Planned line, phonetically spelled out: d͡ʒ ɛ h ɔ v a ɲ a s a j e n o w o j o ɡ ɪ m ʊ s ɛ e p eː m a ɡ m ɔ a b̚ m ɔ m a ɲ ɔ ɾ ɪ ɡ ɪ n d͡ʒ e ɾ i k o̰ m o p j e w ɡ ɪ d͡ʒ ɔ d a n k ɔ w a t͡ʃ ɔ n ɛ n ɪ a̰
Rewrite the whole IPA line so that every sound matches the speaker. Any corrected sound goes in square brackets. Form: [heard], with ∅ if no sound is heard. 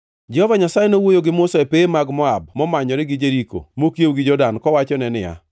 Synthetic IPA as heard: d͡ʒ ɛ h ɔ v a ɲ a s a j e n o w o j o ɡ ɪ m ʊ s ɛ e p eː m a ɡ m ɔ a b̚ m ɔ m a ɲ ɔ ɾ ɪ ɡ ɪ [∅] d͡ʒ e ɾ i k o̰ m o [k] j e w ɡ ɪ d͡ʒ ɔ d a n k ɔ w a t͡ʃ ɔ n ɛ n ɪ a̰